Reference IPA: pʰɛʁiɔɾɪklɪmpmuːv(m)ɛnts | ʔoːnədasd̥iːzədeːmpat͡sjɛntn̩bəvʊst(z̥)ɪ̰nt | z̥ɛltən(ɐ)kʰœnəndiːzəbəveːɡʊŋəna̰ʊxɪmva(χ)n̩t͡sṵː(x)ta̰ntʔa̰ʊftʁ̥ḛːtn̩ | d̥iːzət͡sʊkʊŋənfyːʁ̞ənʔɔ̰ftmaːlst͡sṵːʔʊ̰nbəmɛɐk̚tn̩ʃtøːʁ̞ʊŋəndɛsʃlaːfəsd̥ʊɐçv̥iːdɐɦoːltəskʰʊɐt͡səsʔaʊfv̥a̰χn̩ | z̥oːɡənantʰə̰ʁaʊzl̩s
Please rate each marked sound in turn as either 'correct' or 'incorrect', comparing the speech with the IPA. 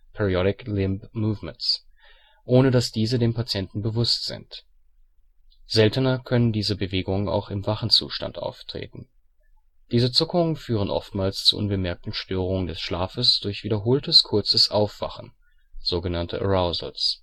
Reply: correct, correct, correct, correct, incorrect: ʃ

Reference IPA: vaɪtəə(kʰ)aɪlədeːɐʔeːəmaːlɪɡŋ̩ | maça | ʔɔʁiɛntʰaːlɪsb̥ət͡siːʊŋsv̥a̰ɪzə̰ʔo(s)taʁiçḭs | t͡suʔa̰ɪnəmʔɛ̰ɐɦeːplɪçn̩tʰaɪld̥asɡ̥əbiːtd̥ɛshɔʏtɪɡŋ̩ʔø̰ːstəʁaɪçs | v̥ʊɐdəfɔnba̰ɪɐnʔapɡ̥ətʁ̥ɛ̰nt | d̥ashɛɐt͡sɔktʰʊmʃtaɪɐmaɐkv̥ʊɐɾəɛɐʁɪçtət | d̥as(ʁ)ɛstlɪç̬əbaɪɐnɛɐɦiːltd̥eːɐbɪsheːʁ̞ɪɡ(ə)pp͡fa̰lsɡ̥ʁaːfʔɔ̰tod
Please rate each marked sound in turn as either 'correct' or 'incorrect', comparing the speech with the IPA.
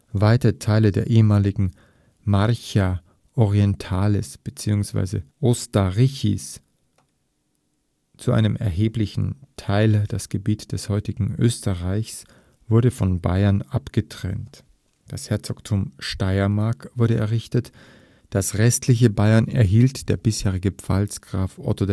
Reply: incorrect: tʰ, correct, correct, correct

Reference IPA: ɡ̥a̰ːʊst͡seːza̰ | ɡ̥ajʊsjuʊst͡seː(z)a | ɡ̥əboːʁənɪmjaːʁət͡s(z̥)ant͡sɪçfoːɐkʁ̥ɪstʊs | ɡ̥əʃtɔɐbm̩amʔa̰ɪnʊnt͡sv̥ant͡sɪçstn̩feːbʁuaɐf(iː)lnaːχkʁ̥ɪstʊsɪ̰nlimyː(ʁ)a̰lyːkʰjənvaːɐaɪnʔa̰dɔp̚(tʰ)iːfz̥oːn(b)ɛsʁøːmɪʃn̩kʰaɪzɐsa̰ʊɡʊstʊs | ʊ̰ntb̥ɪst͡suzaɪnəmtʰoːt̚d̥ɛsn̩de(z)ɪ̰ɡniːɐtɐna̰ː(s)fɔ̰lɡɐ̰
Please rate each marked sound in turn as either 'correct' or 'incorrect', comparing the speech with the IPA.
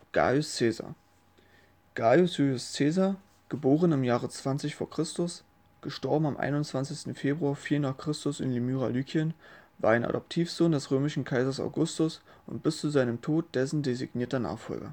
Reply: correct, incorrect: v̥, correct, correct, correct, incorrect: d, correct, incorrect: χ

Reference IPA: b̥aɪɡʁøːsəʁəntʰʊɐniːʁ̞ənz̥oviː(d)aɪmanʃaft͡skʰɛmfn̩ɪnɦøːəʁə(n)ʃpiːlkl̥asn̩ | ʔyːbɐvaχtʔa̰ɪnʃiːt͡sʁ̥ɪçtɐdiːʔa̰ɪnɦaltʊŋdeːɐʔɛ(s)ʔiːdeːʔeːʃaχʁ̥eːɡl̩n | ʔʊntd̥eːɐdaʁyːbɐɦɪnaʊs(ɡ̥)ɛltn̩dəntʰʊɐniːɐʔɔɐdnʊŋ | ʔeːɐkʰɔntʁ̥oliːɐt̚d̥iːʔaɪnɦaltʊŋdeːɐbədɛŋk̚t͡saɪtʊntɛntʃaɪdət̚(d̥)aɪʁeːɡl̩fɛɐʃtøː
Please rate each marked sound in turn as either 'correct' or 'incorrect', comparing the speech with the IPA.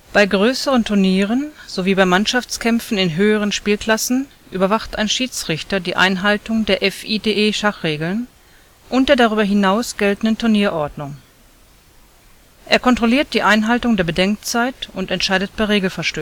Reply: incorrect: b, correct, incorrect: f, correct, incorrect: b̥

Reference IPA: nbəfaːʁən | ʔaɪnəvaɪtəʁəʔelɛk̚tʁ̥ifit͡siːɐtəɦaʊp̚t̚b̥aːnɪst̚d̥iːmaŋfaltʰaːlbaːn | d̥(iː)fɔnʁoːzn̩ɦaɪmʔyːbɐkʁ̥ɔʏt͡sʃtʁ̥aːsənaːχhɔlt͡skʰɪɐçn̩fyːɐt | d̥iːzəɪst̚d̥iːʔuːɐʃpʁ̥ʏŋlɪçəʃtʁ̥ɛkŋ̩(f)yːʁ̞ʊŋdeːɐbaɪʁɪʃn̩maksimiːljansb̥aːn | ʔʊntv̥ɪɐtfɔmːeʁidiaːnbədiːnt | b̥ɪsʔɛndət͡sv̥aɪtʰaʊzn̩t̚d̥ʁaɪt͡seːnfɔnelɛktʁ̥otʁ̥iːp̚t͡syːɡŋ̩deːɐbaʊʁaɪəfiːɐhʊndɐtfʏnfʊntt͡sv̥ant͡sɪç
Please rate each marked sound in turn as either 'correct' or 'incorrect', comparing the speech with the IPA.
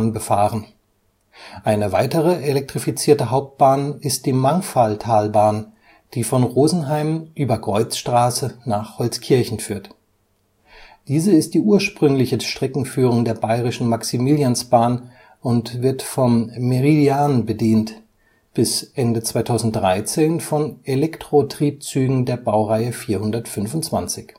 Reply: correct, correct

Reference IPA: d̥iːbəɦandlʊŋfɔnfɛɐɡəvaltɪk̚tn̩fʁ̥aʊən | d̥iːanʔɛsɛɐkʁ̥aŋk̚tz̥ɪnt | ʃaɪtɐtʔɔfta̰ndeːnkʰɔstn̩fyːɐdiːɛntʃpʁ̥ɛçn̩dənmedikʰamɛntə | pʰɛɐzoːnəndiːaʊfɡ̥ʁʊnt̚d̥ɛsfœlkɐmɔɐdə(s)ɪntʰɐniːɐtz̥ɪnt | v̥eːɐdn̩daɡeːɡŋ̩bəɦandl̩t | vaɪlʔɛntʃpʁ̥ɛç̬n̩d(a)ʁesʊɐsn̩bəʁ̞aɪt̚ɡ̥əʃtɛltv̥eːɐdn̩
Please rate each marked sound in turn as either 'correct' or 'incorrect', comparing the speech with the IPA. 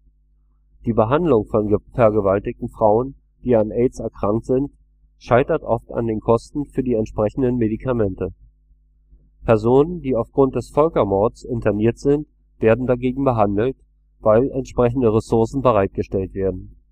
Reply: correct, incorrect: ə

